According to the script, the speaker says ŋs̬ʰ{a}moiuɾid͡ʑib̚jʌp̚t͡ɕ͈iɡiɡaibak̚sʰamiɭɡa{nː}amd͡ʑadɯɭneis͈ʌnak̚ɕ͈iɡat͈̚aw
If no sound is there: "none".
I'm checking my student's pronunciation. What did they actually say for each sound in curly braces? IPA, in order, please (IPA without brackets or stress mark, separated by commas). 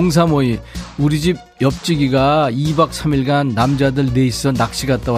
a, nː